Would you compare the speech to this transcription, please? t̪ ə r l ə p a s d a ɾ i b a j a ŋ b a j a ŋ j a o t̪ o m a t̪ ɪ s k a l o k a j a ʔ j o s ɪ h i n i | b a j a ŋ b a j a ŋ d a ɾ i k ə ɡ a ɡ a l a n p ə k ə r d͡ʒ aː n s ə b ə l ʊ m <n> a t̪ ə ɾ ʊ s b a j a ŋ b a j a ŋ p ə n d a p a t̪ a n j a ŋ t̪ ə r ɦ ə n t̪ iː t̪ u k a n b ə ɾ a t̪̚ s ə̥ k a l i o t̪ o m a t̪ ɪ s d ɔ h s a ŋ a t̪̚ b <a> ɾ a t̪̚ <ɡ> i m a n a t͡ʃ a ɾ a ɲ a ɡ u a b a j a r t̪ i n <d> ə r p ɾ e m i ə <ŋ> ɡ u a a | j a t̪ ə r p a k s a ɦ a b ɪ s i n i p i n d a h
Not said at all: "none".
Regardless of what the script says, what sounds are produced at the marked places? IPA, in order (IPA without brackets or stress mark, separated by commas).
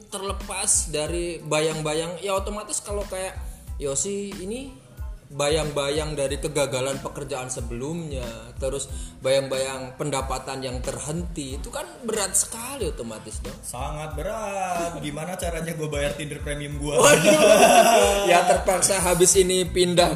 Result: ɲ, ə, ɡ, d, m